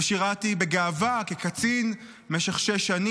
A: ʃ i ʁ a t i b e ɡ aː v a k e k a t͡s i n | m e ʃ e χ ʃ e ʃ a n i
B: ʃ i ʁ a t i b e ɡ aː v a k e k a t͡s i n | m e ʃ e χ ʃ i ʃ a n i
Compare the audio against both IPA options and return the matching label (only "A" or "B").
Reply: A